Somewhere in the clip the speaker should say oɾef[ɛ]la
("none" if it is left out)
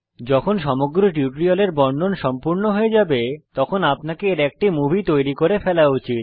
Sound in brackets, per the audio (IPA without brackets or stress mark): ɛ